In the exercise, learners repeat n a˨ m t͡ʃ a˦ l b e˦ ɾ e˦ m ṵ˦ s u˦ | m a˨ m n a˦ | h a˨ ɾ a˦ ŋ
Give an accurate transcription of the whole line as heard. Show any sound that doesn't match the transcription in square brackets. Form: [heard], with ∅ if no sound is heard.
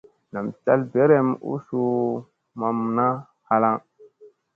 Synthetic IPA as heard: n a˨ m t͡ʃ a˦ l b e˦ ɾ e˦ m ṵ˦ s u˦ | m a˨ m n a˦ | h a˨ [l] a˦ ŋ

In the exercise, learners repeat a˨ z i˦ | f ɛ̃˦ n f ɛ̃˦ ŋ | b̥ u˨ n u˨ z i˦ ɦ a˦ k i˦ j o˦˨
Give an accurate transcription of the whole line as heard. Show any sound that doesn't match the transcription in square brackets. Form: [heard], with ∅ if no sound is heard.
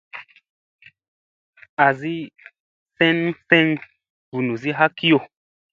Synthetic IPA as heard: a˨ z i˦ | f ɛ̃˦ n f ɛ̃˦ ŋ | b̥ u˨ n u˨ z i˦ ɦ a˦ k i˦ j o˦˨

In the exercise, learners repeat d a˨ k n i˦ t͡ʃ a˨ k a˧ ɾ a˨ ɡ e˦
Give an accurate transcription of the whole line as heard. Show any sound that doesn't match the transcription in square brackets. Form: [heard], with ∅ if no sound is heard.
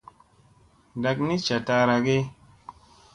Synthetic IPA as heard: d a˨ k n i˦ t͡ʃ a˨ [t] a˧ ɾ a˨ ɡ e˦

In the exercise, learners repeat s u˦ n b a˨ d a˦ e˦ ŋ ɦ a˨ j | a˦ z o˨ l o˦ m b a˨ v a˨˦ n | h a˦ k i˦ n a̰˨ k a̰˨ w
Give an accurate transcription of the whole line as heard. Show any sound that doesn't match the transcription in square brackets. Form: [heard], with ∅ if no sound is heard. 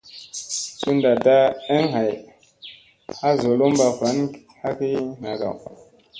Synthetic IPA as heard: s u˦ n [d] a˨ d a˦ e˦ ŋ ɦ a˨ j | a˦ z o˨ l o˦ m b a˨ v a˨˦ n | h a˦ k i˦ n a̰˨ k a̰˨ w

